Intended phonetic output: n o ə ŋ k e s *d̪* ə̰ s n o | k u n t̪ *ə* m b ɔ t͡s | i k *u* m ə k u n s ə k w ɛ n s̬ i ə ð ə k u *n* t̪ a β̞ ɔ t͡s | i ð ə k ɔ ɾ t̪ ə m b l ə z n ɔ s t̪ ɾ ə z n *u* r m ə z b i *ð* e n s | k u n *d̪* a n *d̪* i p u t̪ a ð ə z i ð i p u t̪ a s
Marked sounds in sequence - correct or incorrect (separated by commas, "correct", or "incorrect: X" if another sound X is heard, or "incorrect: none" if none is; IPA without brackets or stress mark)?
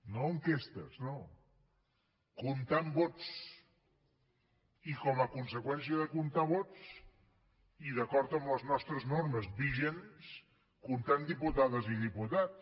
incorrect: t̪, incorrect: a, incorrect: ɔ, correct, incorrect: o, incorrect: ʒ, incorrect: t̪, correct